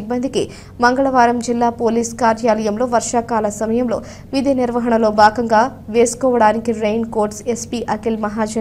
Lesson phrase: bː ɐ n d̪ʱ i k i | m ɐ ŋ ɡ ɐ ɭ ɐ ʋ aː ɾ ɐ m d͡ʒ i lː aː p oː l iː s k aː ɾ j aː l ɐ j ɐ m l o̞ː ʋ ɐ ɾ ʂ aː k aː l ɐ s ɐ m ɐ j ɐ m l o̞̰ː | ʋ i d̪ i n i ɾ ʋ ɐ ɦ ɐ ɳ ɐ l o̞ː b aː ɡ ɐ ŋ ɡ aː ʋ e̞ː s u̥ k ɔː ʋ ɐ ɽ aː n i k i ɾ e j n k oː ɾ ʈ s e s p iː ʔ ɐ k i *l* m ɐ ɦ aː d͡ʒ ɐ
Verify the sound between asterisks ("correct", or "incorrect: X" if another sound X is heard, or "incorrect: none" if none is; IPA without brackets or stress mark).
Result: correct